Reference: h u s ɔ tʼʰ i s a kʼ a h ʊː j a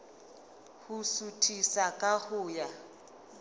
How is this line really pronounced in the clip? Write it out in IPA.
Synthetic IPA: h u s u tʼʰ i s a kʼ a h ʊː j a